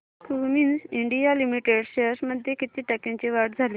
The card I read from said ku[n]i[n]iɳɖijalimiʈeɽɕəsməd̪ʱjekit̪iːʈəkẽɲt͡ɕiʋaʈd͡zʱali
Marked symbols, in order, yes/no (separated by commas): no, yes